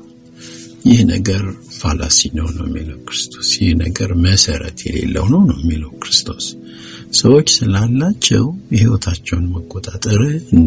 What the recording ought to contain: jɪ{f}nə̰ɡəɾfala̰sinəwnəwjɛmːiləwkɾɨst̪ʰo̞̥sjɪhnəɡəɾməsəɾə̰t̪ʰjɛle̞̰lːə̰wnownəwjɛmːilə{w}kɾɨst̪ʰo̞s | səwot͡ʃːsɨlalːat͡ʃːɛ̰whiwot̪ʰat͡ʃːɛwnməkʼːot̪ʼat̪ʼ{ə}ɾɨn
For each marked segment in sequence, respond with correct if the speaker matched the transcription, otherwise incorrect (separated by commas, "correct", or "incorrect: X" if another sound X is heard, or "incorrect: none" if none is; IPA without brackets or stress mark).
incorrect: h, correct, correct